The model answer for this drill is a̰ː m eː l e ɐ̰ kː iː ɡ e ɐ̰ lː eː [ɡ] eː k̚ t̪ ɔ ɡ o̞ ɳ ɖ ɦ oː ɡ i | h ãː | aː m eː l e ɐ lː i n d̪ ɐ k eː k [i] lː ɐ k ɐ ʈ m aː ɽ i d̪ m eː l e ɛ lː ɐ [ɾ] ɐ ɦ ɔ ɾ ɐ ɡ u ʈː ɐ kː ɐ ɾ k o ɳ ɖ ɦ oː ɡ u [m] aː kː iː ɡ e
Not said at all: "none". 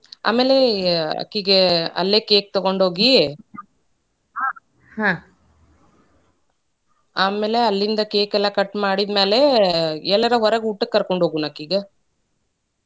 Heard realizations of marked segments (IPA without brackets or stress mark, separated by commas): k, ɛ, ɾ, n